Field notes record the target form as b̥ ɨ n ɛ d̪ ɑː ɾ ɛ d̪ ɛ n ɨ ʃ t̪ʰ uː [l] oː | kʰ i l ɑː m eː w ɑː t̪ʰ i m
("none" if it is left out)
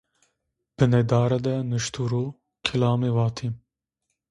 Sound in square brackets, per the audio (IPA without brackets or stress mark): ɾ